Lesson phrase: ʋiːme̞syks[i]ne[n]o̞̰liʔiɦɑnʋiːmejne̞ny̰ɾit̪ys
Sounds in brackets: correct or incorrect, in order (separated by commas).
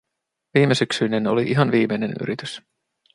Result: incorrect, correct